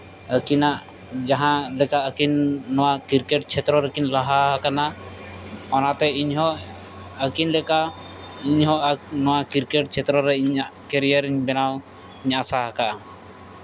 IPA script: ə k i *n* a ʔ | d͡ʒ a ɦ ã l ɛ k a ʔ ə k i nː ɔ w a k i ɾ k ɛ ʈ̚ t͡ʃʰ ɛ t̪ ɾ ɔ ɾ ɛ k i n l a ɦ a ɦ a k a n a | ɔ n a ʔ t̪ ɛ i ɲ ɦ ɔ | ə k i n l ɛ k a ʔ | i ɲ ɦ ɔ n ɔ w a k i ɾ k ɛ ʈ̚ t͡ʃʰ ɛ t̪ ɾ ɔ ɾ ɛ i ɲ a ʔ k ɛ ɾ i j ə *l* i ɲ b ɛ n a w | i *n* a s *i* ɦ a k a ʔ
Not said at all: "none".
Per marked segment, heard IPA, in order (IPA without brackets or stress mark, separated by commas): n, ɾ, ɲ, a